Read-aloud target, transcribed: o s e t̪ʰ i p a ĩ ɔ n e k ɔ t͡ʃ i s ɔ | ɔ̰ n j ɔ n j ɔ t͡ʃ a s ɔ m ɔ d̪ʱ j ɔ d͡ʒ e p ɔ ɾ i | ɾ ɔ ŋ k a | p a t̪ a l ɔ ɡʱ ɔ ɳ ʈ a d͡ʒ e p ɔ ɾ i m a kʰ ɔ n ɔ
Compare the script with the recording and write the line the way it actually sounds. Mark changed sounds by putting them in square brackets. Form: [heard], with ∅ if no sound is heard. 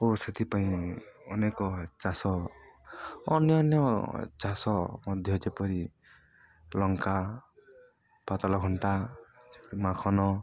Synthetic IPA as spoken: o s e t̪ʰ i p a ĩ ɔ n e k ɔ t͡ʃ [a] s ɔ | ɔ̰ n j ɔ n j ɔ t͡ʃ a s ɔ m ɔ d̪ʱ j ɔ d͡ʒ e p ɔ ɾ i | [l] ɔ ŋ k a | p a t̪ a l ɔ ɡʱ ɔ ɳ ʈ a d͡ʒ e p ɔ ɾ i m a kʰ ɔ n ɔ

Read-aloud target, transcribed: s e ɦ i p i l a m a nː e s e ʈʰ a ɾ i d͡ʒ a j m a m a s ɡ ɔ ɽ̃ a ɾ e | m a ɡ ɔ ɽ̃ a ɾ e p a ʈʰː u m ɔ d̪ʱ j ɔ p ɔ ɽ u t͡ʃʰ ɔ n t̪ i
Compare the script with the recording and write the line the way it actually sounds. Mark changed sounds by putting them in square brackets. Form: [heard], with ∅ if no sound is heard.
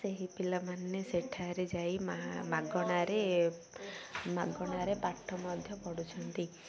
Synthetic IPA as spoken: s e ɦ i p i l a m a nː e s e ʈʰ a ɾ [e] d͡ʒ a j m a m a [∅] ɡ ɔ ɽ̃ a ɾ e | m a ɡ ɔ ɽ̃ a ɾ e p a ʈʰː [ɔ] m ɔ d̪ʱ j ɔ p ɔ ɽ u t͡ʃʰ ɔ n t̪ i

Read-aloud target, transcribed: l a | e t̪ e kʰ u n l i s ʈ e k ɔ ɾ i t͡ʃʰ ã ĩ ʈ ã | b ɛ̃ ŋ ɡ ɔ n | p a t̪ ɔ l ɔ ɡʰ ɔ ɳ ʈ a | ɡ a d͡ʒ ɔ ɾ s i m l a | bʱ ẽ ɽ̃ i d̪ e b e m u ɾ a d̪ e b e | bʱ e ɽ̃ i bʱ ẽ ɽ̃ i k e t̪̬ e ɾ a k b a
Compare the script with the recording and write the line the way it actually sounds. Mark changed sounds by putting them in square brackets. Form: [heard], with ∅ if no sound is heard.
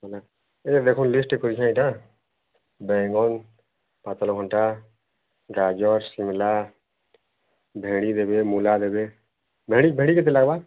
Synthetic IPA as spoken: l a | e [d̪] e kʰ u n l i s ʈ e k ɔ ɾ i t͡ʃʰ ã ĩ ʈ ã | b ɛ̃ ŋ ɡ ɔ n | p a t̪ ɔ l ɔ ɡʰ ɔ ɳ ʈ a | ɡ a d͡ʒ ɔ ɾ s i m l a | bʱ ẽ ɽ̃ i d̪ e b e m u [l] a d̪ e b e | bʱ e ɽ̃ i bʱ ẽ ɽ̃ i k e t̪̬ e [l] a [ɡ] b a

